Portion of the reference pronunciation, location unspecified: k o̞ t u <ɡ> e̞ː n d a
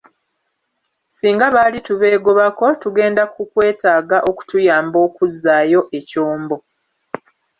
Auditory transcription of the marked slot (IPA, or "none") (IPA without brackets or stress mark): ɡ